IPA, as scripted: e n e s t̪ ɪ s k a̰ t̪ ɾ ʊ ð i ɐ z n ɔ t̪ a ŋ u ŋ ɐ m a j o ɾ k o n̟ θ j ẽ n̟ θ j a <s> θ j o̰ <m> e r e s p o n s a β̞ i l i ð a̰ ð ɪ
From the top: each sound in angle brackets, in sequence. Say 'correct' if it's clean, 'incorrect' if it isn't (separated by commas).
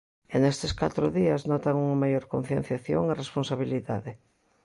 incorrect, incorrect